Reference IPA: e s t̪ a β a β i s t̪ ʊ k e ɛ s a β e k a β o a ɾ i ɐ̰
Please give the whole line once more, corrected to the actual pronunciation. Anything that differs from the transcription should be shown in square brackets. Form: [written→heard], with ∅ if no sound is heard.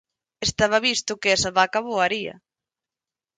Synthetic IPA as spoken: e s t̪ a β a β i s t̪ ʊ k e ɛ s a β [e→a] k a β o a ɾ i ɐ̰